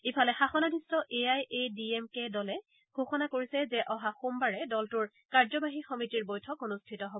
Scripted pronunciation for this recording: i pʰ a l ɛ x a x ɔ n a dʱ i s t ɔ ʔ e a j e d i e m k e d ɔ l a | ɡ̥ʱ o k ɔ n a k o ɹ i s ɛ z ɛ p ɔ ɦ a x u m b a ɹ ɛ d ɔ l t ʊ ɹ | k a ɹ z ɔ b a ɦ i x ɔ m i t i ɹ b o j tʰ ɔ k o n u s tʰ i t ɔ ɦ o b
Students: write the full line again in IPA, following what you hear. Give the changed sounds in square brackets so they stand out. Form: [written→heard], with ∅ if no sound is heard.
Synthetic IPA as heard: i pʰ a l ɛ x a x ɔ n a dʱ i s t ɔ ʔ e a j e d i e m k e d ɔ l [a→ɛ] | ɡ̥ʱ o [k→x] ɔ n a k o ɹ i s ɛ z ɛ [p→ʔ] ɔ ɦ a x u m b a ɹ ɛ d ɔ l t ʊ ɹ | k a ɹ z ɔ b a ɦ i x ɔ m i t i ɹ b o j tʰ ɔ k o n u s tʰ i t ɔ ɦ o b